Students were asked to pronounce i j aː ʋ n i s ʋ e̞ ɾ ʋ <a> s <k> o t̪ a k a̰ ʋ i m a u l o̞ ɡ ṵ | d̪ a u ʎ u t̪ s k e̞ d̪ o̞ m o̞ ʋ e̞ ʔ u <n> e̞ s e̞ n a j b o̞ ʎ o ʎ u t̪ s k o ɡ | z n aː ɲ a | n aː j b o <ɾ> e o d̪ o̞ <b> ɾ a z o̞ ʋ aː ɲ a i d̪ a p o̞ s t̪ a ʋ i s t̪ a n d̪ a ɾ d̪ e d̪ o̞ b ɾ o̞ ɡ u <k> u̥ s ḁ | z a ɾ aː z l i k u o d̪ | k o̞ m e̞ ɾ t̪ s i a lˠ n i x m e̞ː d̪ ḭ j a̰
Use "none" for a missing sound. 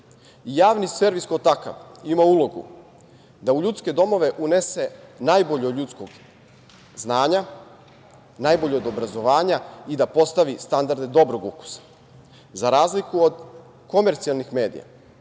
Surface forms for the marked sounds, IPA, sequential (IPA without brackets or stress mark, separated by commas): i, k, n, ʎ, b, k